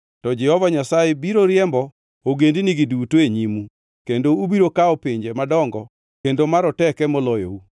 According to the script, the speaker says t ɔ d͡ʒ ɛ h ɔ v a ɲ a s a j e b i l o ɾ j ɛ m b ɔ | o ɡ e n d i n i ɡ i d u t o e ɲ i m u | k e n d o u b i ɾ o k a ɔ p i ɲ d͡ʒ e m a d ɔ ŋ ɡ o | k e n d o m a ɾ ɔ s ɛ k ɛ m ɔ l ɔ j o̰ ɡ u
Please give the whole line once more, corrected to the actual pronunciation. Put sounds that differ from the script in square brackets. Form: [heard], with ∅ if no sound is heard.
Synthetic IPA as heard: t ɔ d͡ʒ ɛ h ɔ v a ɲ a s a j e b i [ɾ] o ɾ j ɛ m b ɔ | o ɡ e n d i n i ɡ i d u t o e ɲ i m u | k e n d o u b i ɾ o k a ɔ p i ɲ d͡ʒ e m a d ɔ ŋ ɡ [ɔ] | k e n d o m a ɾ ɔ [t] ɛ k ɛ m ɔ l ɔ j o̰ [∅] u